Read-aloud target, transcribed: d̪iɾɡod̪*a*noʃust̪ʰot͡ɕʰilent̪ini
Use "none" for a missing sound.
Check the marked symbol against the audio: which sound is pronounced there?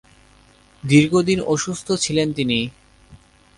i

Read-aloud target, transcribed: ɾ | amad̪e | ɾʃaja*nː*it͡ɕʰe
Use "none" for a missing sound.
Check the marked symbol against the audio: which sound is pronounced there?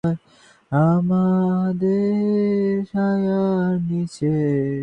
n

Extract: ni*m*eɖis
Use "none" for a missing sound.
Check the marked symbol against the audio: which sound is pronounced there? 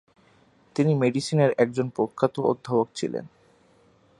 m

